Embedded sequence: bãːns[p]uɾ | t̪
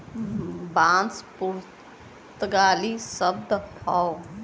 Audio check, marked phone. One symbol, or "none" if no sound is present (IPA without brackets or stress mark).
p